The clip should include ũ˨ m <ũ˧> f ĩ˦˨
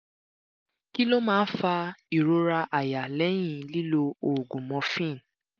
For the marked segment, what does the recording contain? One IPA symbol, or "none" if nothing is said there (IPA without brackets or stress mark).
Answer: ɔ̃˧